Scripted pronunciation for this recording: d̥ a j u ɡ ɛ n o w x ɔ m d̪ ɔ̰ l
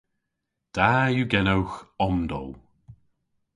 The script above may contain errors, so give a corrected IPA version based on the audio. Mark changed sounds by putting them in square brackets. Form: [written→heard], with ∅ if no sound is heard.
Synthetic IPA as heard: d̥ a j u ɡ ɛ n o w x ɔ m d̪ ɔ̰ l